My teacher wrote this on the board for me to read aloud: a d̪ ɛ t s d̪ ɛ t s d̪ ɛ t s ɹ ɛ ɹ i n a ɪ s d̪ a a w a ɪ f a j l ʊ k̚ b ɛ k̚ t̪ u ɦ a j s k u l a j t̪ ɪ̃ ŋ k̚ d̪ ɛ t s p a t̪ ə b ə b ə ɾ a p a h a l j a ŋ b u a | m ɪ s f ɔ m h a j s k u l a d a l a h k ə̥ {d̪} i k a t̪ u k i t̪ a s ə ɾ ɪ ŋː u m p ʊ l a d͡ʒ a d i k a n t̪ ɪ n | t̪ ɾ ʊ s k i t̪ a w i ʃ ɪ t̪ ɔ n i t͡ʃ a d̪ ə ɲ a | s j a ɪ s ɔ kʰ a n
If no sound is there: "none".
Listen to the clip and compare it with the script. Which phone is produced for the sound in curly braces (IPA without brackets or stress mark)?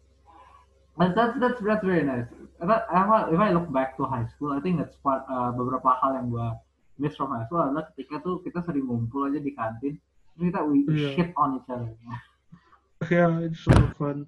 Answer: t̪